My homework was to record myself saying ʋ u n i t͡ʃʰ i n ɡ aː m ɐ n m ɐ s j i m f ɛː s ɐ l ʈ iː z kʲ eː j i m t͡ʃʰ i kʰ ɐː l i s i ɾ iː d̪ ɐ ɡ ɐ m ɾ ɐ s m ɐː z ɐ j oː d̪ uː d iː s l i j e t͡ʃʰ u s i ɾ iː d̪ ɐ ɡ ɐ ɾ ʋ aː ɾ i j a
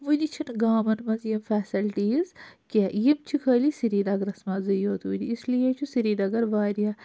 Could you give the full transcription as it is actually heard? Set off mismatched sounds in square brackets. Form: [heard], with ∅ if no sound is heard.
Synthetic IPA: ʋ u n i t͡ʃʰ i n ɡ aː m ɐ n m ɐ [z] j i m f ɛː s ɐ l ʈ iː z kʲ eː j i m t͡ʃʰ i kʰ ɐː l i s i ɾ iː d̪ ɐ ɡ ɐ [∅] ɾ ɐ s m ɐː z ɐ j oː [t̪] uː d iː s l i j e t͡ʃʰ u s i ɾ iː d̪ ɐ ɡ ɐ ɾ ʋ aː ɾ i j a